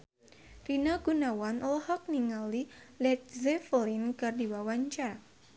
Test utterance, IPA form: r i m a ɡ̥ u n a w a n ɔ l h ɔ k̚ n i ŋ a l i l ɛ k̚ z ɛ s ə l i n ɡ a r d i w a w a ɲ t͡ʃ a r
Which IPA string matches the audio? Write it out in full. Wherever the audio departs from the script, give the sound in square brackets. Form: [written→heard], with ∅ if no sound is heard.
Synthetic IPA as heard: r i [m→n] a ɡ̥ u n a w a n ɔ l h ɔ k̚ n i ŋ a l i l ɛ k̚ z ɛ [s→f] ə l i n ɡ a r d i w a w a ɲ t͡ʃ a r